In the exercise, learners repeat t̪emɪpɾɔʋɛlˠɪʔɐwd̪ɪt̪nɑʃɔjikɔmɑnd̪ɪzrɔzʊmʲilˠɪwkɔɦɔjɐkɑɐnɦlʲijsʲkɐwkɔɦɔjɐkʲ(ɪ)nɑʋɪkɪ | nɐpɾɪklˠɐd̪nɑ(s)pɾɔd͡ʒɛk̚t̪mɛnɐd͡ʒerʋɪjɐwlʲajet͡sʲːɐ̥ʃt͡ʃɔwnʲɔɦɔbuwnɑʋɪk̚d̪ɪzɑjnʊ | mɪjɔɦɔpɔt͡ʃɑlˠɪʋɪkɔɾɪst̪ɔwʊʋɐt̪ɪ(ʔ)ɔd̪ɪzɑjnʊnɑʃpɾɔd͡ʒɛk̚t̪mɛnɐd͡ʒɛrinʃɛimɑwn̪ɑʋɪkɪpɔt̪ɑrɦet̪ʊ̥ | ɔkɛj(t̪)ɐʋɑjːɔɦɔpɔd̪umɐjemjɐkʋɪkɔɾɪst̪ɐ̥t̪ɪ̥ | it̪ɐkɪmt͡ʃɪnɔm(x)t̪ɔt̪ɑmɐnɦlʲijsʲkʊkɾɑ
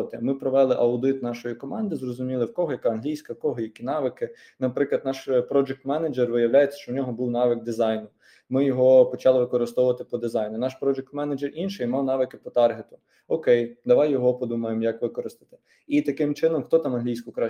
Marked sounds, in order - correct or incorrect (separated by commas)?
incorrect, incorrect, incorrect, incorrect, correct